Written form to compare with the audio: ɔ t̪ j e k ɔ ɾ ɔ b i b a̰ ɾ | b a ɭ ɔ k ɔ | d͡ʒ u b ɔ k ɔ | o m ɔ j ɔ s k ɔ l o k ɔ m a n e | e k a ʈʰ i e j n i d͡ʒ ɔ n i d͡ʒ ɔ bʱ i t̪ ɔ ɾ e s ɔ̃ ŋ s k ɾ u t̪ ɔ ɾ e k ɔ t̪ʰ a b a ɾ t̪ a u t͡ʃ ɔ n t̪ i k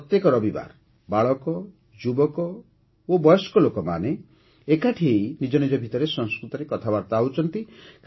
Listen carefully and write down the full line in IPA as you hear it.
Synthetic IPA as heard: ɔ t̪ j e k ɔ ɾ ɔ b i b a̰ ɾ | b a ɭ ɔ k ɔ | d͡ʒ u b ɔ k ɔ | o b ɔ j ɔ s k ɔ l o k ɔ m a n e | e k a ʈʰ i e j n i d͡ʒ ɔ n i d͡ʒ ɔ bʱ i t̪ ɔ ɾ e s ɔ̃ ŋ s k ɾ u t̪ ɔ ɾ e k ɔ t̪ʰ a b a ɾ t̪ a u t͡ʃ ɔ n t̪ i k

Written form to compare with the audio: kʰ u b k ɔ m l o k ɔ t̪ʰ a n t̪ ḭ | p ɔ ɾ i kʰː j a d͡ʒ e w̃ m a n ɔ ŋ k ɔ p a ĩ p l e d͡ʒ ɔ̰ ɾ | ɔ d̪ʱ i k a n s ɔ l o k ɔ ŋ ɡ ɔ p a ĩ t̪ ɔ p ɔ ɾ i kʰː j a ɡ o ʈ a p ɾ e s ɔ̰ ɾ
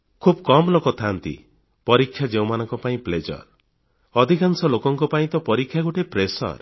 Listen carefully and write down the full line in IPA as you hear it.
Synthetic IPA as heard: kʰ u b k ɔ m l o k ɔ t̪ʰ a n t̪ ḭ | p ɔ ɾ i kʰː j a d͡ʒ e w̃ m a n ɔ ŋ k ɔ p a ĩ p l e d͡ʒ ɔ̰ ɾ | ɔ d̪ʱ i k a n s ɔ l o k ɔ ŋ k ɔ p a ĩ t̪ ɔ p ɔ ɾ i kʰː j a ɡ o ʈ e p ɾ e s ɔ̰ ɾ

